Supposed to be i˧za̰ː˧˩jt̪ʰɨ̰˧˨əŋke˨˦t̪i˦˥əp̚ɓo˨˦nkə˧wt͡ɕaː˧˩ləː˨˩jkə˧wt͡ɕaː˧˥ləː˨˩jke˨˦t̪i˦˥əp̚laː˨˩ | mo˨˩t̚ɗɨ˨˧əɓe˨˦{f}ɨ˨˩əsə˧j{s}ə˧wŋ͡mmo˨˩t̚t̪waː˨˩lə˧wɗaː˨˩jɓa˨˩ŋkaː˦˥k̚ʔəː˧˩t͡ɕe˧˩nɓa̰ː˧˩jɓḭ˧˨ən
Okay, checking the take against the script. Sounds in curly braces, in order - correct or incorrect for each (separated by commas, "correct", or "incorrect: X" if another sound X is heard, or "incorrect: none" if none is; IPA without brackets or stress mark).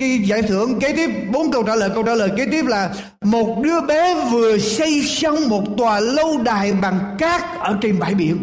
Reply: incorrect: v, correct